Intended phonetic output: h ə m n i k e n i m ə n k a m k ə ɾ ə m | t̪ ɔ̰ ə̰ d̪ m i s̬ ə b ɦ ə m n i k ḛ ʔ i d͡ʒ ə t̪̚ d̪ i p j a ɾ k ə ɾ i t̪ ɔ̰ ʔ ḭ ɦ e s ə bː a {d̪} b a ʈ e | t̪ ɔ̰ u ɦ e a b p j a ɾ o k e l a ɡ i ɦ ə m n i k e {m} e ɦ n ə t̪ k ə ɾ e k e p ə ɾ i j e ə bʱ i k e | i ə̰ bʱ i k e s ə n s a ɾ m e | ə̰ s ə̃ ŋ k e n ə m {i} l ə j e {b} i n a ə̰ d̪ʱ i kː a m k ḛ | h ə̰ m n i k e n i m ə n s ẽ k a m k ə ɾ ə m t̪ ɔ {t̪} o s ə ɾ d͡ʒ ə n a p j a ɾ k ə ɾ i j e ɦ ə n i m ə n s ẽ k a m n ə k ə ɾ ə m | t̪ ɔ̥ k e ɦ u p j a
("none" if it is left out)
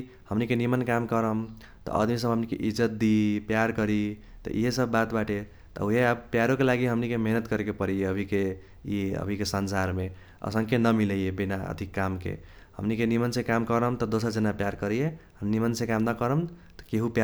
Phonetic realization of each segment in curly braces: t̪, m, i, b, d̪

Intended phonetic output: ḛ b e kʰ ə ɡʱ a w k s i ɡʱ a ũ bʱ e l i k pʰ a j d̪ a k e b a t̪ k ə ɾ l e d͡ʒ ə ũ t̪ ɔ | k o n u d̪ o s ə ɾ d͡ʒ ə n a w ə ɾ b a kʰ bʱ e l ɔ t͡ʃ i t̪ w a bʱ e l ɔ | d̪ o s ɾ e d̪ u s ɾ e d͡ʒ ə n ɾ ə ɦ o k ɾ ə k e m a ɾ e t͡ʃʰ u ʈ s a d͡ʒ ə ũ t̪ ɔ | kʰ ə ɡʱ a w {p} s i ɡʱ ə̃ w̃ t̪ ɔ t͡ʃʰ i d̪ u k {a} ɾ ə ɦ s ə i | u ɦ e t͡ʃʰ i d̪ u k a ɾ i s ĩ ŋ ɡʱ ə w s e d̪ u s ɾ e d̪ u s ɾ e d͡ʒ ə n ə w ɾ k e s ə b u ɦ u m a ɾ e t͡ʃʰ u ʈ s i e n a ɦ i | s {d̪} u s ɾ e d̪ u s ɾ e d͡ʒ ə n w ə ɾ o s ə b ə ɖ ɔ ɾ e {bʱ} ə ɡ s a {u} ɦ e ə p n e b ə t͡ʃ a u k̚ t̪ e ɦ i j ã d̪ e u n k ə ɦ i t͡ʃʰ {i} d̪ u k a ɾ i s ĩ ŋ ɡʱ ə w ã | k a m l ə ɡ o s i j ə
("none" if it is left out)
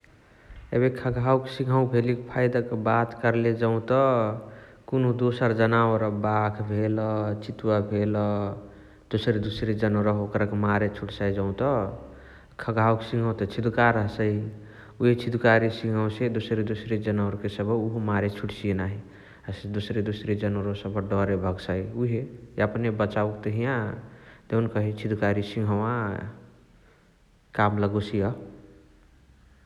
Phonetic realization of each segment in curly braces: k, a, d̪, bʱ, u, i

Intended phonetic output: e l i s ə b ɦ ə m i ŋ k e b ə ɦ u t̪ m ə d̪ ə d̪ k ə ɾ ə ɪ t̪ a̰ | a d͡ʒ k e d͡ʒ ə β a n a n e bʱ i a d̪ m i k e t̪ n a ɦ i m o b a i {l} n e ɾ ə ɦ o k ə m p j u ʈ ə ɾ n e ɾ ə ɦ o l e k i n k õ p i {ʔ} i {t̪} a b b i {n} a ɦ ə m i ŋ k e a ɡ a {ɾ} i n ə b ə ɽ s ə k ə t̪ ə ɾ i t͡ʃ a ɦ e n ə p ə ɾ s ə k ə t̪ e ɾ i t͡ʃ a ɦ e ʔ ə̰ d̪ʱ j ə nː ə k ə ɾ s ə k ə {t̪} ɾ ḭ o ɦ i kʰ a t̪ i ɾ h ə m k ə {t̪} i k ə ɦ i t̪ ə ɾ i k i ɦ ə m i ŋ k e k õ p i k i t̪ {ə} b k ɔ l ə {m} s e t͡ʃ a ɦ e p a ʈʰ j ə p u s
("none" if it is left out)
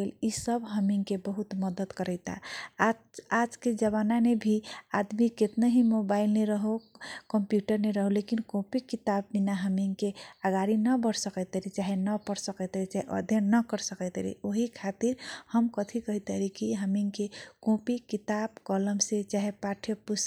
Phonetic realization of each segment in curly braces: l, k, t̪, n, ɾ, t̪, t̪ʰ, a, m

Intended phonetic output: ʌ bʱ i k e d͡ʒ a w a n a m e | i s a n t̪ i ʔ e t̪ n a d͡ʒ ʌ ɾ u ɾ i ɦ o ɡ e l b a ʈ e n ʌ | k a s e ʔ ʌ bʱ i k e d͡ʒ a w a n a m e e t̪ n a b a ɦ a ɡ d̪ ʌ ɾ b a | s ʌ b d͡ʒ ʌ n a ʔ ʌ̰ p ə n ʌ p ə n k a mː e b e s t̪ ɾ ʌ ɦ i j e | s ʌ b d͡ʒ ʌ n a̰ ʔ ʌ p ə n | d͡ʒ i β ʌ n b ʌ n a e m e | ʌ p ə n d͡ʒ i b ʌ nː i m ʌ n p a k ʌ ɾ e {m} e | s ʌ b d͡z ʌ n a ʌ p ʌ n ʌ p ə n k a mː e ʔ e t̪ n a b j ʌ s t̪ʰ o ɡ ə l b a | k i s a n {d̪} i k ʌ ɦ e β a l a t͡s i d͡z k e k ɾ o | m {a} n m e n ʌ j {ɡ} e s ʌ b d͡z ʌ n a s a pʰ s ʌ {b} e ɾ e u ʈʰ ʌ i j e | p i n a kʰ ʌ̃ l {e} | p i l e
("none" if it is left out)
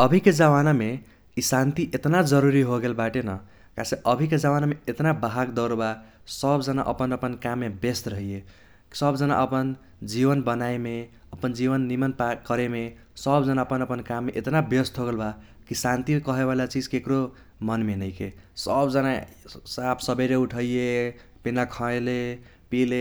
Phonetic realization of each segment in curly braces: m, t̪, ʌ, k, b, e

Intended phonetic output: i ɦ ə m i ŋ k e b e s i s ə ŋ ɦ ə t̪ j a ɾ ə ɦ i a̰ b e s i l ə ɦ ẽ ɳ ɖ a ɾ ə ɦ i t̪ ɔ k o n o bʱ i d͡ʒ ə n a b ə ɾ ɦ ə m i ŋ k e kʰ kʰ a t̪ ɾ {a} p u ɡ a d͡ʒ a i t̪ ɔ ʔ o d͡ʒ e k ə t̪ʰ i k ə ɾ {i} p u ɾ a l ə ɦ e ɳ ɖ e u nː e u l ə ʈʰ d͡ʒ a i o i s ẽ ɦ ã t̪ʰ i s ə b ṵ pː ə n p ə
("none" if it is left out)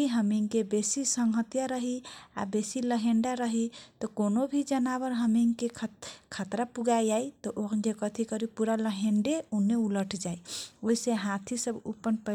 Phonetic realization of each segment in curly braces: a, i

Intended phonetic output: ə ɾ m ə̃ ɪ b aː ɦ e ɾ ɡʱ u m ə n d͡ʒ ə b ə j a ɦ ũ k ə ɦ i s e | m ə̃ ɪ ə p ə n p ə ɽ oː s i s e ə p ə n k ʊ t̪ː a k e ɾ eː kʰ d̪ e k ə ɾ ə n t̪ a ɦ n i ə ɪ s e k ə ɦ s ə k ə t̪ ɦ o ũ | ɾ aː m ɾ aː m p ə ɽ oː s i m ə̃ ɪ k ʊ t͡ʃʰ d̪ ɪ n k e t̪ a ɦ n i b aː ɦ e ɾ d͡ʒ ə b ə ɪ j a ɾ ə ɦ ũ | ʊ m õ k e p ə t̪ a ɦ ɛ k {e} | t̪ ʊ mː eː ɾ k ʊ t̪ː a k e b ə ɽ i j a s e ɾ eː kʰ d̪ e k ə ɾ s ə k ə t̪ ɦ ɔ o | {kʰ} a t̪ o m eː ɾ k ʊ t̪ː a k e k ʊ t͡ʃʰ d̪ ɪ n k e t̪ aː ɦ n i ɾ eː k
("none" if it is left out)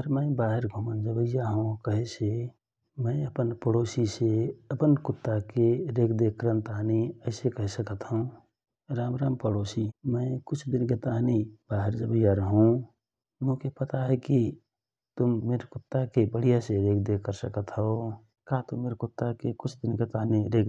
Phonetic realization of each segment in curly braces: i, k

